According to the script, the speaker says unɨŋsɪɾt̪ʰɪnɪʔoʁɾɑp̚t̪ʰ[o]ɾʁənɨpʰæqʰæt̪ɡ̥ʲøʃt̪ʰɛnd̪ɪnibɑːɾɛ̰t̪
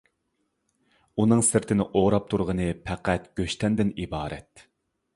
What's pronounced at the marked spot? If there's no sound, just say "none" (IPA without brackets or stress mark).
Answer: u